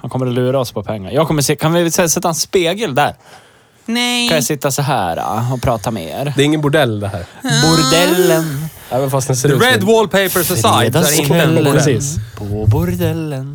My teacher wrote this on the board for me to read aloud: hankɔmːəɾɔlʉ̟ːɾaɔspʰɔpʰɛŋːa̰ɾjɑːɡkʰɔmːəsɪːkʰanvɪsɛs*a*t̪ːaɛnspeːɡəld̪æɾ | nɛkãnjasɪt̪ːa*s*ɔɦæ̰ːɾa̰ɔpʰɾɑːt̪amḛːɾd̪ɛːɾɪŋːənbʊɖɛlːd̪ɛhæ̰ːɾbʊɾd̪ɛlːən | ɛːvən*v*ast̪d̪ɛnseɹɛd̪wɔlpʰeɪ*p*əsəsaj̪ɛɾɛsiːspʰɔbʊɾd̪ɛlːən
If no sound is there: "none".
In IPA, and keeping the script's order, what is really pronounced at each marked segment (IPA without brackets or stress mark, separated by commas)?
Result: ɛ, s, f, p